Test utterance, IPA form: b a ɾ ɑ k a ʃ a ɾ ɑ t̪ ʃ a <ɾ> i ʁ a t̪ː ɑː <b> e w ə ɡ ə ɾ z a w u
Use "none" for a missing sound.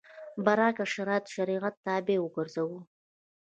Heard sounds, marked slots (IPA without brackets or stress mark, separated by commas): ɾ, b